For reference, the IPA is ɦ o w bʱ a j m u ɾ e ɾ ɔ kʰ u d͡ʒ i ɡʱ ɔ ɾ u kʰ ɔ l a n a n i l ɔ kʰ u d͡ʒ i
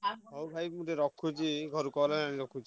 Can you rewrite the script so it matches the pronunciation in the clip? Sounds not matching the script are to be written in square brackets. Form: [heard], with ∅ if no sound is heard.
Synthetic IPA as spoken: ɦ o w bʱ a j m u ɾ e ɾ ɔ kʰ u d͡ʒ i ɡʱ ɔ ɾ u [k] ɔ l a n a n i [ɾ] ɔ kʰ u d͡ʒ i